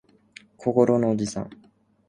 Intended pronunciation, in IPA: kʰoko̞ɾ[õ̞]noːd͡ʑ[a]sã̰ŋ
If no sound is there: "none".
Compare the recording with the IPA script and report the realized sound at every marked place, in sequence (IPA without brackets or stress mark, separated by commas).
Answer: o̞, i